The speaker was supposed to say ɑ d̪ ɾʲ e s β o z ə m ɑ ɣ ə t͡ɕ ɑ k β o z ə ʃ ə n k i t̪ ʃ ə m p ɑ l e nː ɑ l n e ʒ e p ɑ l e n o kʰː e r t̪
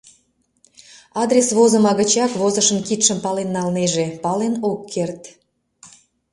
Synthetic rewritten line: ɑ d̪ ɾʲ e s β o z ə m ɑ ɣ ə t͡ɕ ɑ k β o z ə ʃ ə n k i t̪ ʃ ə m p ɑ l e nː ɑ l n e ʒ e p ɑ l e n o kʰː e r t̪